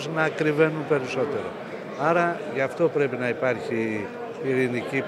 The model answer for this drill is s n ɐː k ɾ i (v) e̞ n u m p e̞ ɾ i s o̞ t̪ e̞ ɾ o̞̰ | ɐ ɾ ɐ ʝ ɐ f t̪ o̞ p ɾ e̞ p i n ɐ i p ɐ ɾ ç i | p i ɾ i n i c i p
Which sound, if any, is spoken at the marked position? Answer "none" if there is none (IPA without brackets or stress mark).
v